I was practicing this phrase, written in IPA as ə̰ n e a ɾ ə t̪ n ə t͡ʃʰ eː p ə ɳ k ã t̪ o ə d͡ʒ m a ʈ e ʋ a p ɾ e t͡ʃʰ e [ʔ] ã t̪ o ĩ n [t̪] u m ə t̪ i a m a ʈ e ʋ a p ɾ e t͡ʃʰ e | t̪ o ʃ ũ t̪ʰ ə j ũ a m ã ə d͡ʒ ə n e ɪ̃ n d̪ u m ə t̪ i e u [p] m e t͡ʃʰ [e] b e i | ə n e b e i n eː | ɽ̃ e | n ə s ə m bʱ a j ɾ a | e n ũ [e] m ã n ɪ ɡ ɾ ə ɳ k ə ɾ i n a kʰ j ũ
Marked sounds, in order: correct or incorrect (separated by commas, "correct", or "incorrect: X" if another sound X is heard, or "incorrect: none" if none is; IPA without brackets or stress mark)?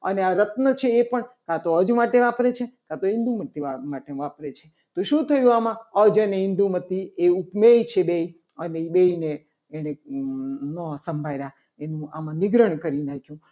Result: incorrect: k, incorrect: d̪, correct, correct, incorrect: a